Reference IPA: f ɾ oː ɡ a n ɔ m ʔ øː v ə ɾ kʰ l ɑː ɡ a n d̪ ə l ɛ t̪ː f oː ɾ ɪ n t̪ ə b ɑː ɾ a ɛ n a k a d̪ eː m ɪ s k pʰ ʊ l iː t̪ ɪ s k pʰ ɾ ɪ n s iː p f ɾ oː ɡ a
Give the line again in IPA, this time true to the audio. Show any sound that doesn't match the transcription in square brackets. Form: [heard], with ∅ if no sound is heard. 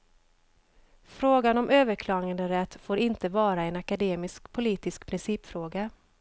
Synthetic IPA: f ɾ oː ɡ a n ɔ m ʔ øː v ə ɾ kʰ l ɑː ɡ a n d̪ ə [ɾ] ɛ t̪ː f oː ɾ ɪ n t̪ ə [v] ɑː ɾ a ɛ n a k a d̪ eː m ɪ s k pʰ ʊ l iː t̪ ɪ s k pʰ ɾ ɪ n s iː p f ɾ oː ɡ a